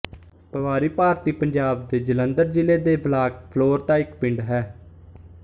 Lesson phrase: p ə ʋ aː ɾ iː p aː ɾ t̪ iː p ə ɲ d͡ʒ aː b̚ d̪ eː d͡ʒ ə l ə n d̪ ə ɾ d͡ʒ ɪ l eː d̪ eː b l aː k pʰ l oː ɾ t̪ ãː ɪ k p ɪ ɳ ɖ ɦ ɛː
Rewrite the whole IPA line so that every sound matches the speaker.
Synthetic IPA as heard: p ə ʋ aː ɾ iː p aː ɾ t̪ iː p ə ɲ d͡ʒ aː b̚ d̪ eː d͡ʒ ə l ə n d̪ ə ɾ d͡ʒ ɪ l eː d̪ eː b l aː k pʰ l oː ɾ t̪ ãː ɪ k p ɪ ɳ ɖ ɦ ɛː

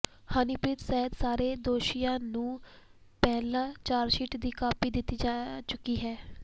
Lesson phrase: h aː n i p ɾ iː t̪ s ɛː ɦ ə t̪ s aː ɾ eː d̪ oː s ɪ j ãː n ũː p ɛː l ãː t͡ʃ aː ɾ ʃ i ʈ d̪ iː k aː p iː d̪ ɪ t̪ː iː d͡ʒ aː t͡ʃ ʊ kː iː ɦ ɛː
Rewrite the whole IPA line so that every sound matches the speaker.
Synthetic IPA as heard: h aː n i p ɾ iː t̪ s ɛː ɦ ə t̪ s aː ɾ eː d̪ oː ʃ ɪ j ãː n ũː p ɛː l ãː t͡ʃ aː ɾ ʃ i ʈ d̪ iː k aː p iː d̪ ɪ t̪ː iː d͡ʒ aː t͡ʃ ʊ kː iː ɦ ɛː

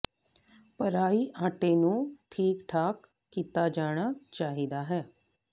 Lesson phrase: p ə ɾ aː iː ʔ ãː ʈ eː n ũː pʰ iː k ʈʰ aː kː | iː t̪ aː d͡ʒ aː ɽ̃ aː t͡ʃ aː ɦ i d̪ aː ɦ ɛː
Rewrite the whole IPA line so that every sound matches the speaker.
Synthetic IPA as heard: p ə ɾ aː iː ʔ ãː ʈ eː n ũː ʈʰ iː k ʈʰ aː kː | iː t̪ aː d͡ʒ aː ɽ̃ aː t͡ʃ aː ɦ i d̪ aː ɦ ɛː

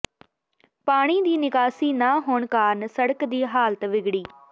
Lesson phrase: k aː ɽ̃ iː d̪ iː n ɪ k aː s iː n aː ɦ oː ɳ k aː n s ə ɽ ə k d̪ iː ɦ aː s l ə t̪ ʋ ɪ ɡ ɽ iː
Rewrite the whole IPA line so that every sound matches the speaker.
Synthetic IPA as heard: p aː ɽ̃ iː d̪ iː n ɪ k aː s iː n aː ɦ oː ɳ k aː n s ə ɽ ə k d̪ iː ɦ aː l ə t̪ ʋ ɪ ɡ ɽ iː

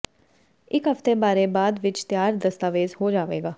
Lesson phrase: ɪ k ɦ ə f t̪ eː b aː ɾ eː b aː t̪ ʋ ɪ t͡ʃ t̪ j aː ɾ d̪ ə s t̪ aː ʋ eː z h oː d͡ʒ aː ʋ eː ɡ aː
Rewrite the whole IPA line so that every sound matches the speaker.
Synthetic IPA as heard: ɪ k ɦ ə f t̪ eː b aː ɾ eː b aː d̪ ʋ ɪ t͡ʃ t̪ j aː ɾ d̪ ə s t̪ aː ʋ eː z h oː d͡ʒ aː ʋ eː ɡ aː

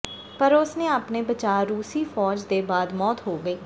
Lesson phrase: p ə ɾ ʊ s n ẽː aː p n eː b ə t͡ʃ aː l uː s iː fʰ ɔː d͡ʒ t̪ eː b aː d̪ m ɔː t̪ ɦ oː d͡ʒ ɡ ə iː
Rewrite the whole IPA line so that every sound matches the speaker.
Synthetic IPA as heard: p ə ɾ ʊ s n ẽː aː p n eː b ə t͡ʃ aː ɾ uː s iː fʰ ɔː d͡ʒ d̪ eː b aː d̪ m ɔː t̪ ɦ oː ɡ ə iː

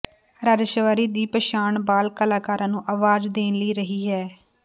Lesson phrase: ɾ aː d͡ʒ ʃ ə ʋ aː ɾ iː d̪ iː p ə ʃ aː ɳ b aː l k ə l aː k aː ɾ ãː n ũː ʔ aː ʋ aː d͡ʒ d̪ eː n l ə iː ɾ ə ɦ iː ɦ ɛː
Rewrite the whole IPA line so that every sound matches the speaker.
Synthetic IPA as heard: ɾ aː d͡ʒ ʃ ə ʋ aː ɾ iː d̪ iː p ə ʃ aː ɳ b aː l k ə l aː k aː ɾ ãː n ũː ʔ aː ʋ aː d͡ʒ d̪ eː n l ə iː ɾ ə ɦ iː ɦ ɛː

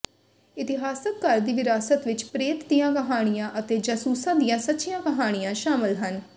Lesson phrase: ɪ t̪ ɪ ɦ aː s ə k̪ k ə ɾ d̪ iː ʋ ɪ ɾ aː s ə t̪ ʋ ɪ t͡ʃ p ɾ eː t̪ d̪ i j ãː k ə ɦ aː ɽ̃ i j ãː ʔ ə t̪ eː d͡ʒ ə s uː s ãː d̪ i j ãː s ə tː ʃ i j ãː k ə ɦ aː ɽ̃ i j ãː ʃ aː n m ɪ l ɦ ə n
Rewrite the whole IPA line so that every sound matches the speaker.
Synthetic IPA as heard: ɪ t̪ ɪ ɦ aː s ə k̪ k ə ɾ d̪ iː ʋ ɪ ɾ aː s ə t̪ ʋ ɪ t͡ʃ p ɾ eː t̪ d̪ i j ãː k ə ɦ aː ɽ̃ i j ãː ʔ ə t̪ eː d͡ʒ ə s uː s ãː d̪ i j ãː s ə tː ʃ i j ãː k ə ɦ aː ɽ̃ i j ãː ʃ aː m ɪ l ɦ ə n

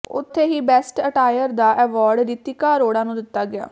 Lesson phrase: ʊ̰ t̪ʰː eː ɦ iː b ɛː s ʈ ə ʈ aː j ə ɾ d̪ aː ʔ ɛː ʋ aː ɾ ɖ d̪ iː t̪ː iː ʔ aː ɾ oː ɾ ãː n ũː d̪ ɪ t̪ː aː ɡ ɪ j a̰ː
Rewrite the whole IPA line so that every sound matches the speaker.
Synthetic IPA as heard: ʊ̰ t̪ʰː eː ɦ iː b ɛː s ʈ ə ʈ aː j ə ɾ d̪ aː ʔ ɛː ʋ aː ɾ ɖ d̪ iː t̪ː iː k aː ɾ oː ɽ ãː n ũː d̪ ɪ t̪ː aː ɡ ɪ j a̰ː

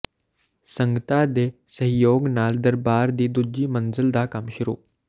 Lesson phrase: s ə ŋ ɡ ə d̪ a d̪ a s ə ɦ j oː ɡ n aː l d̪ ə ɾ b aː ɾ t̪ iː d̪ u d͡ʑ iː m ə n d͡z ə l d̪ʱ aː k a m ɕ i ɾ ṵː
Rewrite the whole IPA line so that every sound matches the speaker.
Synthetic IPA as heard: s ə ŋ ɡ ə t̪ a d̪ e s ə ɦ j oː ɡ n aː l d̪ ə ɾ b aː ɾ d̪ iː d̪ u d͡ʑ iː m ə n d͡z ə l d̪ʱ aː k a m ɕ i ɾ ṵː

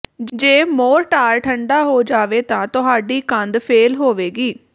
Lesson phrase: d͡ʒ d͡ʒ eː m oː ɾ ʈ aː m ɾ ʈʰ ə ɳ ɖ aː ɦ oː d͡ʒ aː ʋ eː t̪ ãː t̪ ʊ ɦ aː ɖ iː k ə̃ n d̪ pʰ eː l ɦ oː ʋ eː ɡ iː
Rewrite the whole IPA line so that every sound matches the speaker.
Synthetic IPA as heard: d͡ʒ d͡ʒ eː m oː ɾ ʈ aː ɾ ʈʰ ə ɳ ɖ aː ɦ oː d͡ʒ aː ʋ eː t̪ ãː t̪ ʊ ɦ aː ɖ iː k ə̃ n d̪ pʰ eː l ɦ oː ʋ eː ɡ iː

